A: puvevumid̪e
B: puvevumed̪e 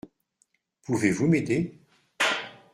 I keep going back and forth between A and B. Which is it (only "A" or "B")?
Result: B